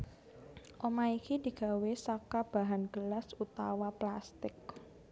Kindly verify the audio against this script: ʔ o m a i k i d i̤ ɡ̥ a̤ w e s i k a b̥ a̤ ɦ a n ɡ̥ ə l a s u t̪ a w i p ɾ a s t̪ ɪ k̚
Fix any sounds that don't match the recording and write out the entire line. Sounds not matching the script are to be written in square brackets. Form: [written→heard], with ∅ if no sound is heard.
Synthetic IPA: ʔ o m a i k i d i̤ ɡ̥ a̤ w e s [i→a] k a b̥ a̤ ɦ a n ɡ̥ ə l a s u t̪ a w [i→a] p [ɾ→l] a s t̪ ɪ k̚